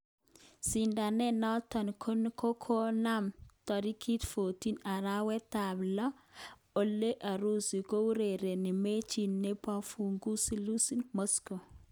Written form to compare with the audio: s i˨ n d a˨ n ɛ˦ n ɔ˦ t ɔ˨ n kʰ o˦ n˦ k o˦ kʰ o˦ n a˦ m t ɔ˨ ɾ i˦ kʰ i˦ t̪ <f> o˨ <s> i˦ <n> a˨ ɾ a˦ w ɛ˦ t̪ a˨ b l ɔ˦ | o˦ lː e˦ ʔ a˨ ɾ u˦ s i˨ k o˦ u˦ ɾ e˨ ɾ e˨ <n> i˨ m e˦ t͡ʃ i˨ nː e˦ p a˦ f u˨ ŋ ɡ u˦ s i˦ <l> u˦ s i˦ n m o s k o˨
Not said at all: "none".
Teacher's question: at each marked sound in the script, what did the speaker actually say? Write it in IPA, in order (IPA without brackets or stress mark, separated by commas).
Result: f, t, n, n, l